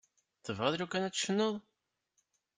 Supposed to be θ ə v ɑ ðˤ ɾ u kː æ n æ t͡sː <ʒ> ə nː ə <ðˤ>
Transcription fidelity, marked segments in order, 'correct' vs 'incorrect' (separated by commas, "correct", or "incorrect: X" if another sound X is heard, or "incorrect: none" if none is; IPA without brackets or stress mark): incorrect: ʃ, correct